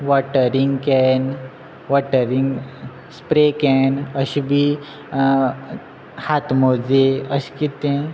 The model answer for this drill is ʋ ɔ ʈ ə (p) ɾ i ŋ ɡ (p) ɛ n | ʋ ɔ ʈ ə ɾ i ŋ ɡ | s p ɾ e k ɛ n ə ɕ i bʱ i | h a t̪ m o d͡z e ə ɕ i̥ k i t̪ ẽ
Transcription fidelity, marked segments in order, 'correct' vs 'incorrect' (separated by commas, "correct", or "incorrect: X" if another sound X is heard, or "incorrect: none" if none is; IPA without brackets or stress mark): incorrect: none, incorrect: k